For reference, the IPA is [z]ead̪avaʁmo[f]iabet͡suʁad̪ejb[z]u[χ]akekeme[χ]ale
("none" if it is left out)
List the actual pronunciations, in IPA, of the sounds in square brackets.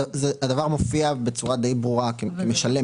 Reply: z, f, ʁ, ʁ, ʃ

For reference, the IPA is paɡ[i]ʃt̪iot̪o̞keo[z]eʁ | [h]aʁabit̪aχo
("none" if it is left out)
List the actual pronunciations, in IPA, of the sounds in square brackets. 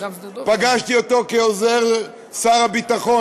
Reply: a, z, s

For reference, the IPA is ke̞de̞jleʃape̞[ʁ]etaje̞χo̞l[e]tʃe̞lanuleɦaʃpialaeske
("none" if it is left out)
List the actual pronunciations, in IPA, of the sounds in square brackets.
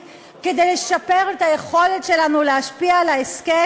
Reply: ʁ, e

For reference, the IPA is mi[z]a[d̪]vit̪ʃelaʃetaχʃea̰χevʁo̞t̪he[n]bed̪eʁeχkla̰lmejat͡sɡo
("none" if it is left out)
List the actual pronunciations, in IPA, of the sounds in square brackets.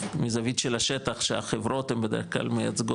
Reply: z, none, m

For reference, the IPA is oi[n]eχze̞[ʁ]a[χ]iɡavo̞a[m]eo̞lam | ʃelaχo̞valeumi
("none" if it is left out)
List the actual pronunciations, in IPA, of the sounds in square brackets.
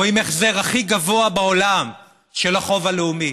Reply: m, ʁ, χ, b

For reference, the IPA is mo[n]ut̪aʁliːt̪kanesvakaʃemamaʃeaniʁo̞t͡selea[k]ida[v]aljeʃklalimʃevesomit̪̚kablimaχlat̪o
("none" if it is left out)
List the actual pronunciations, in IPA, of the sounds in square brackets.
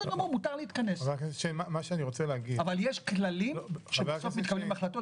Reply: m, ɡ, v

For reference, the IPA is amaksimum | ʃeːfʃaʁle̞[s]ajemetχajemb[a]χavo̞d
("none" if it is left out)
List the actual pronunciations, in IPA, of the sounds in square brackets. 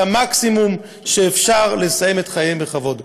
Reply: s, e

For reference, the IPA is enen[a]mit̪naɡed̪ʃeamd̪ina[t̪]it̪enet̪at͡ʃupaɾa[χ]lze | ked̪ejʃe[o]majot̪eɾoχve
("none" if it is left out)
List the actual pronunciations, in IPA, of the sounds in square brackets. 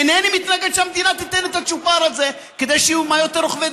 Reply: i, t̪, none, u

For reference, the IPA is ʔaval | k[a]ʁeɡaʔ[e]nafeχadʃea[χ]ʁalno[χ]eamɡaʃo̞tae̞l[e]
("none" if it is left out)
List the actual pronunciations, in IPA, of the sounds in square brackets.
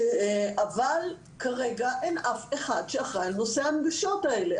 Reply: a, e, χ, s, e

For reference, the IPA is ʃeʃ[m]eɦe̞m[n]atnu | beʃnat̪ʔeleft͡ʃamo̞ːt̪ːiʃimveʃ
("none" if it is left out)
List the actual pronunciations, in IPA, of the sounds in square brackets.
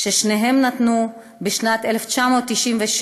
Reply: n, n

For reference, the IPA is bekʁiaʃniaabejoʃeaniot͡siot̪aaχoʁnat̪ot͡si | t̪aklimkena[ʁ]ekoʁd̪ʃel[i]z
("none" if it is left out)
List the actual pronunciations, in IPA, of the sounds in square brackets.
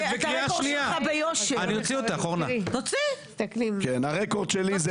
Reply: ʁ, i

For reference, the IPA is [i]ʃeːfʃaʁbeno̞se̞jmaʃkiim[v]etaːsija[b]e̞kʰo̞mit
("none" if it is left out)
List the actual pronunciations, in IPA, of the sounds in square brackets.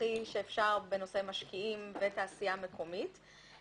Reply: i, v, m

